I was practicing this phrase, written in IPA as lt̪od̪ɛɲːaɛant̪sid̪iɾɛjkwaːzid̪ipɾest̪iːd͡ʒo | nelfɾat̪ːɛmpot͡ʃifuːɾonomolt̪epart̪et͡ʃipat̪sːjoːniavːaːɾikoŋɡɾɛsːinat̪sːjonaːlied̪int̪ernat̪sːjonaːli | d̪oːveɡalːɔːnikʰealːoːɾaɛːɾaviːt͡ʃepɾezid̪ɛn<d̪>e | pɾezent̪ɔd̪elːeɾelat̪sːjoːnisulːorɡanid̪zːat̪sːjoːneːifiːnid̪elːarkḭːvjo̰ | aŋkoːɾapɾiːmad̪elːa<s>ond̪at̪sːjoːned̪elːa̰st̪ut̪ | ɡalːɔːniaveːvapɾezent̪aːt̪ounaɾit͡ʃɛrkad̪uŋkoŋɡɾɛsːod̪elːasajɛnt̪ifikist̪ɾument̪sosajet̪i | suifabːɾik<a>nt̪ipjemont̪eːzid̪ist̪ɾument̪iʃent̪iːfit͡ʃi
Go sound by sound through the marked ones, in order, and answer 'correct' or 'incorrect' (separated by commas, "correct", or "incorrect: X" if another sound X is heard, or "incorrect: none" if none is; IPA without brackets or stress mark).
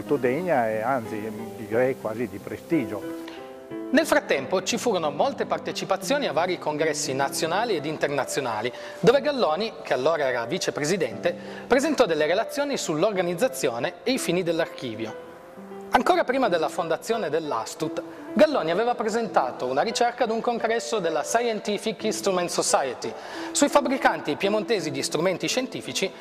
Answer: incorrect: t̪, incorrect: f, correct